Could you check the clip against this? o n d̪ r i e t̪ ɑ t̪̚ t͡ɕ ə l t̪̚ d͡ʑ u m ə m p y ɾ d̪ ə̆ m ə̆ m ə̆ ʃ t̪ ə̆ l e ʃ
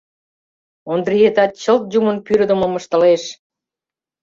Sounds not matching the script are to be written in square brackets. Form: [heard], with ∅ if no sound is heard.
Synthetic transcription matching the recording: o n d̪ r i e t̪ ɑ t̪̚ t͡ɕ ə l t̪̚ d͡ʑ u m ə [n] p y ɾ d̪ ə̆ m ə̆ m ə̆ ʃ t̪ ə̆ l e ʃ